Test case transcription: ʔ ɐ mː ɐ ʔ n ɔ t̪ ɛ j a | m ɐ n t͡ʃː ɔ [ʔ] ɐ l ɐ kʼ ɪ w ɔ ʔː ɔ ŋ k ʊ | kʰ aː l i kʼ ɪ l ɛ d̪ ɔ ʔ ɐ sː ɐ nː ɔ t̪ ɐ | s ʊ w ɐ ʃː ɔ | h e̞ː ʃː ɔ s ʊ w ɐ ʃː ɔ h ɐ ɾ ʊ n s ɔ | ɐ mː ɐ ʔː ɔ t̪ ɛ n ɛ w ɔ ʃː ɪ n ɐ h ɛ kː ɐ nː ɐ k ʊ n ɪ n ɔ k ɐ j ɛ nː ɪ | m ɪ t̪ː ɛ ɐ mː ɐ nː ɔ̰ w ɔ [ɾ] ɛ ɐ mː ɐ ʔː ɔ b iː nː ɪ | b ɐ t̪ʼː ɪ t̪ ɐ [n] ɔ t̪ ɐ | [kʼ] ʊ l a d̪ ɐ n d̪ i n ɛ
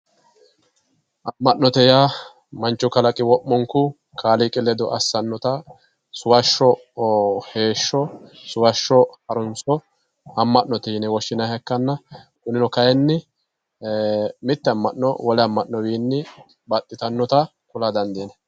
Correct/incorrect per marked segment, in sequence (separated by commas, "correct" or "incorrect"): incorrect, incorrect, incorrect, incorrect